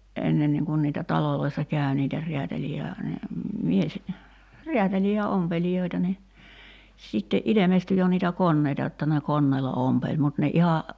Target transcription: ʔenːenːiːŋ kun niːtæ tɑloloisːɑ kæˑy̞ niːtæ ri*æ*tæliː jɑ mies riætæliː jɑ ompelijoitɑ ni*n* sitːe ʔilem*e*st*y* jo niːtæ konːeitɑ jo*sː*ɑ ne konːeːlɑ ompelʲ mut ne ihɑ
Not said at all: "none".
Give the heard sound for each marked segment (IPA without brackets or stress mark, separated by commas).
æ, none, e, y, tː